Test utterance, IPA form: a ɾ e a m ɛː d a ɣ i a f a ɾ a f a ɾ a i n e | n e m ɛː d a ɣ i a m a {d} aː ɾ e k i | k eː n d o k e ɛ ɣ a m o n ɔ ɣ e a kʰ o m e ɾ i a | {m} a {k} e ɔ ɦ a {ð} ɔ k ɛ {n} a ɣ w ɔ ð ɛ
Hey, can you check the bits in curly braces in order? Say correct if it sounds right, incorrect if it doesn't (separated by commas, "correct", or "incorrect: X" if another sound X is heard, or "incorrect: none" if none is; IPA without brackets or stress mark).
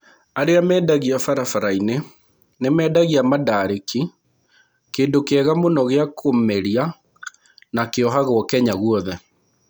correct, incorrect: n, correct, incorrect: ɣ, incorrect: ɲ